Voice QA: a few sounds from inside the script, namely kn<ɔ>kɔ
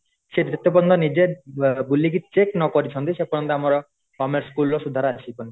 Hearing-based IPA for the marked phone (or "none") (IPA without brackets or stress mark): ɔ